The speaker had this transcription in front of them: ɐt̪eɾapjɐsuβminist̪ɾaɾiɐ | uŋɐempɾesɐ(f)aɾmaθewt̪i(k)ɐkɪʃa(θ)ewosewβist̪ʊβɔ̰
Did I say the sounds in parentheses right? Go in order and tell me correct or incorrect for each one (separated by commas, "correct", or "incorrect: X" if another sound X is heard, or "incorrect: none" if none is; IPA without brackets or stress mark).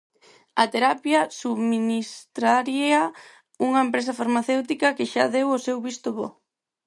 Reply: correct, correct, incorrect: ð